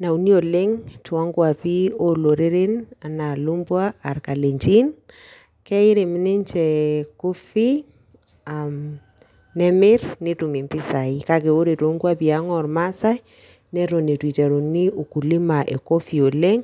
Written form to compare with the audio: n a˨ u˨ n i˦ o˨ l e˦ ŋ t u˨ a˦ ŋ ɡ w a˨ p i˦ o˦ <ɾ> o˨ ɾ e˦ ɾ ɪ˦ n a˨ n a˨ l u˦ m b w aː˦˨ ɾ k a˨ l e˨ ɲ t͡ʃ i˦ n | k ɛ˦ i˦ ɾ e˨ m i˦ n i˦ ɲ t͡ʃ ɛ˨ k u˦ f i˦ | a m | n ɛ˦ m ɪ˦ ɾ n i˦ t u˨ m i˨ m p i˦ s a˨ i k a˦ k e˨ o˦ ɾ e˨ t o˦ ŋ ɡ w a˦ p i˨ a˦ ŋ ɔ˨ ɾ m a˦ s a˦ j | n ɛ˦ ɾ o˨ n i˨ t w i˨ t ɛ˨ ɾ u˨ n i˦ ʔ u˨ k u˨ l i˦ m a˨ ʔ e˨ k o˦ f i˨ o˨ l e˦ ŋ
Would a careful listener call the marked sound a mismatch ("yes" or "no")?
yes